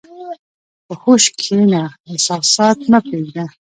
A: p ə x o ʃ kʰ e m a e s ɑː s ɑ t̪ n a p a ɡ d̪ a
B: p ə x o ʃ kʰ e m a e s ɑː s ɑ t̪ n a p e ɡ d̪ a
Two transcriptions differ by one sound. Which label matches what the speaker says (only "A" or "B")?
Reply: B